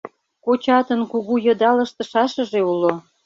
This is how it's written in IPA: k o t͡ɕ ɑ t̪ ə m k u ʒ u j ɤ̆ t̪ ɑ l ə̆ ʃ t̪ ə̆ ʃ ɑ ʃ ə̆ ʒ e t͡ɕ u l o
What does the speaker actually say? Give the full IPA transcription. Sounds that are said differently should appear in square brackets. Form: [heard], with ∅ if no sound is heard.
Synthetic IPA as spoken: k o t͡ɕ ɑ t̪ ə [n] k u [ɣ] u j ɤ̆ [d̪] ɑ l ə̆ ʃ t̪ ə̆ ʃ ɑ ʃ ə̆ ʒ e [∅] u l o

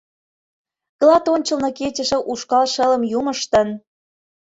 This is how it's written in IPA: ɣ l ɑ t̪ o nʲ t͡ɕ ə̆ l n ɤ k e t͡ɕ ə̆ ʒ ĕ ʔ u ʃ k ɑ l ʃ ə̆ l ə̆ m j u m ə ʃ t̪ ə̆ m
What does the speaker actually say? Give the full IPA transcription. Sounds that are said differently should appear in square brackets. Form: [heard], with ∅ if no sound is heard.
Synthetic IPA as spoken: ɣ l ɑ t̪ o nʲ t͡ɕ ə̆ l n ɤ k e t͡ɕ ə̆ [ʃ] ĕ ʔ u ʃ k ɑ l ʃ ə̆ l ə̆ m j u m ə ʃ t̪ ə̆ [n]

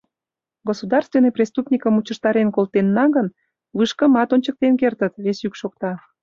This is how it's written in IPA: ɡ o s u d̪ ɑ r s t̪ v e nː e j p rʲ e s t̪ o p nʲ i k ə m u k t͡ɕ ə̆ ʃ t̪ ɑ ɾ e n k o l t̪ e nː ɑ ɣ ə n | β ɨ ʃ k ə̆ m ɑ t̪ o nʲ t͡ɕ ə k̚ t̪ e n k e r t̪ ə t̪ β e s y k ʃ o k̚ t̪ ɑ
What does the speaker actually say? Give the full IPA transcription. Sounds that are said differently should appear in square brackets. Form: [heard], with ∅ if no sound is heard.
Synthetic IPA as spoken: ɡ o s u d̪ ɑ r s t̪ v e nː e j p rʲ e s t̪ [u] p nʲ i k ə m u [∅] t͡ɕ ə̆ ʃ t̪ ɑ ɾ e n k o l t̪ e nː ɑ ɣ ə n | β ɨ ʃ k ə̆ m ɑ t̪ o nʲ t͡ɕ ə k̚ t̪ e n k e r t̪ ə t̪ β e s y k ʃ o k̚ t̪ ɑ

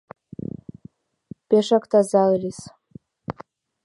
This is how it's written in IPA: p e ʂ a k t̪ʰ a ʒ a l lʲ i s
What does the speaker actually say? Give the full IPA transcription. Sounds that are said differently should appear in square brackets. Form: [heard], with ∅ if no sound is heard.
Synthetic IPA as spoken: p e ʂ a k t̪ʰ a [z] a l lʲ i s

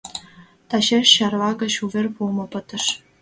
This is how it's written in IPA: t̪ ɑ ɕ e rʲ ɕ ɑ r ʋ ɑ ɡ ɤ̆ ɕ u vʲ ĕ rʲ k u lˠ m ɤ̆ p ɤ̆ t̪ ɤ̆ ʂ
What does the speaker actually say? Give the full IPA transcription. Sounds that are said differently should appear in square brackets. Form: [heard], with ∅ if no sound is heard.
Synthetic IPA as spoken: t̪ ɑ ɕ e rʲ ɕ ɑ r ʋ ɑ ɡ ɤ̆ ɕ u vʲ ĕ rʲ [p] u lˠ m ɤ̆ p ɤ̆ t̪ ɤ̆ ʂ

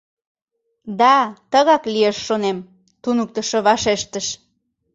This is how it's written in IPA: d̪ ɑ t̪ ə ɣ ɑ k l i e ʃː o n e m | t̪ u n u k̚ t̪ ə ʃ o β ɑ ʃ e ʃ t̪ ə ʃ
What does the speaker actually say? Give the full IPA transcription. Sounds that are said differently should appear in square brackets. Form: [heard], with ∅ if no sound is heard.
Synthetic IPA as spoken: d̪ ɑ t̪ ə ɣ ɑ k l i e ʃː o n e m | t̪ u n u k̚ t̪ ə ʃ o β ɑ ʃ e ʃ t̪ ə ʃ

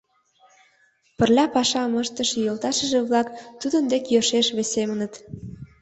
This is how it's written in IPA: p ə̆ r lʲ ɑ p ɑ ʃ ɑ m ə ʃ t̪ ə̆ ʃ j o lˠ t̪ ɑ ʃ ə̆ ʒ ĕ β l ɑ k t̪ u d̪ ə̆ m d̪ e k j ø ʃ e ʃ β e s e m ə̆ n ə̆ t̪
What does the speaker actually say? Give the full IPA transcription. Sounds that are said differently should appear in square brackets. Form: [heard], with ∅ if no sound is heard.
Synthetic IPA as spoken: p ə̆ r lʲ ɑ p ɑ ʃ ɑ m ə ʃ t̪ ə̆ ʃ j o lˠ t̪ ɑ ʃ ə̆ ʒ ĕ β l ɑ k t̪ u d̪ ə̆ [n] d̪ e k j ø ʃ e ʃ β e s e m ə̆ n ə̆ t̪

